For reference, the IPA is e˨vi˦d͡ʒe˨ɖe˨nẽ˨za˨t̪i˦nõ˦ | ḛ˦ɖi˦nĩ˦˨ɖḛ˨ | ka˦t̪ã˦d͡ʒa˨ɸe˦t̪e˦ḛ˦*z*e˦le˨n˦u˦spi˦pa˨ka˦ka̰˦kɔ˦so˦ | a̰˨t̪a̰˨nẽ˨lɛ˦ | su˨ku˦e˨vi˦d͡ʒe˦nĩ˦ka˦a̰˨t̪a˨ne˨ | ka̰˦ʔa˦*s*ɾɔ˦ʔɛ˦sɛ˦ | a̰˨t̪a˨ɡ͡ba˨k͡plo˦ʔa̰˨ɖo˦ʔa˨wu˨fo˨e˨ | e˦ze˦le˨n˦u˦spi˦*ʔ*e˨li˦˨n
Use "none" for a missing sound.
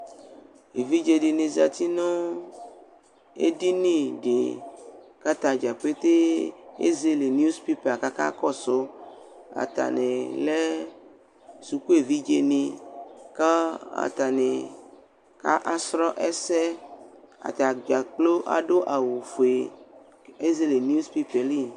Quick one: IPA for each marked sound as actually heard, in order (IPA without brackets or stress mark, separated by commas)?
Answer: z, s, p